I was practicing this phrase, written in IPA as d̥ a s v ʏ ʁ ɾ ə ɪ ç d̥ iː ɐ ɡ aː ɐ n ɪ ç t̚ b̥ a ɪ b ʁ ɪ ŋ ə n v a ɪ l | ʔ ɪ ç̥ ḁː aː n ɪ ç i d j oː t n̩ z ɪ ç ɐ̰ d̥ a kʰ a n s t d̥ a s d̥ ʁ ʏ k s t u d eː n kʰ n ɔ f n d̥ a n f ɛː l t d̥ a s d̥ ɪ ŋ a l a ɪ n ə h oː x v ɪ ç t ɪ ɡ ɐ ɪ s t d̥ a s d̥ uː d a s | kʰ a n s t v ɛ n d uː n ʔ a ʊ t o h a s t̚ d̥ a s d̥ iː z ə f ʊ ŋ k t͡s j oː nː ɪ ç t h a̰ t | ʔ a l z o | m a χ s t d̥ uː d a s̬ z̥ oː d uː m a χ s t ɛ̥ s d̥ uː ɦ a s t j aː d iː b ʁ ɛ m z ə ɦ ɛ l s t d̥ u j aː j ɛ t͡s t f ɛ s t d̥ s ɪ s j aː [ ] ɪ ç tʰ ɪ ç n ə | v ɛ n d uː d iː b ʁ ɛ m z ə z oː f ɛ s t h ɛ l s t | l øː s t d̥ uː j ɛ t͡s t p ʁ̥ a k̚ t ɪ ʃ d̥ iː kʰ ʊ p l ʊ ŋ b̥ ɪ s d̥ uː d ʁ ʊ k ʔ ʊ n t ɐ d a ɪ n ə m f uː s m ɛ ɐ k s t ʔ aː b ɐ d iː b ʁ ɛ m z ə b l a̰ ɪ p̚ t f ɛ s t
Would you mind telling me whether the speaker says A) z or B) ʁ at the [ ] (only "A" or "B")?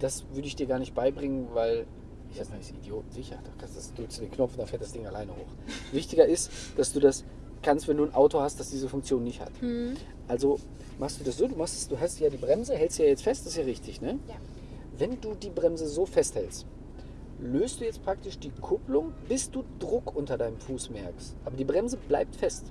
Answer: B